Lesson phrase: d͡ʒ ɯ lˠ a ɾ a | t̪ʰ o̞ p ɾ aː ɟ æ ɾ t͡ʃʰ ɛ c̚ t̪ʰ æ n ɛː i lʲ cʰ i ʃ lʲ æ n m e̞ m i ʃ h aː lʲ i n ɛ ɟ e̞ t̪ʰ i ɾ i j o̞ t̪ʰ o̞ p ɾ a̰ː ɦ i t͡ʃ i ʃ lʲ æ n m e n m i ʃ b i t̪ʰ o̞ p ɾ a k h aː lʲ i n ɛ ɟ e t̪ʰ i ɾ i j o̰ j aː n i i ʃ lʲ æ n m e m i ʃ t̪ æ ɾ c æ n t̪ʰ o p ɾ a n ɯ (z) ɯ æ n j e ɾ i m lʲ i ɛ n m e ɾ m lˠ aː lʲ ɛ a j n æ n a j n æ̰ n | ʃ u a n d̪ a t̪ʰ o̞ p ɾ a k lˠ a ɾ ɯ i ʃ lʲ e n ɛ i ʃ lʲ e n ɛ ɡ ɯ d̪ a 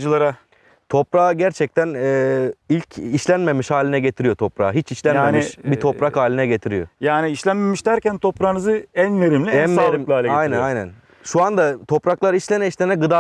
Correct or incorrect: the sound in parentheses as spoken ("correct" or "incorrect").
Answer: correct